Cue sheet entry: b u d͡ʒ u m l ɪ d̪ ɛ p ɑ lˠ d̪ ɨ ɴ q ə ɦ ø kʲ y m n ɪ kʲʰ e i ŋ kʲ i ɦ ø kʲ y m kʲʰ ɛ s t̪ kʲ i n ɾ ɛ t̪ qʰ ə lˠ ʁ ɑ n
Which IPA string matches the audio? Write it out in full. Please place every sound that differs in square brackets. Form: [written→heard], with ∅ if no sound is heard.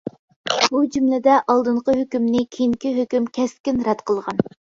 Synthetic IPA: b u d͡ʒ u m l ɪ d̪ ɛ [p→ʔ] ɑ lˠ d̪ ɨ ɴ q ə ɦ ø kʲ y m n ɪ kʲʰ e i ŋ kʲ i ɦ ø kʲ y m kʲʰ ɛ s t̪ kʲ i n ɾ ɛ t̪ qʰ ə lˠ ʁ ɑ n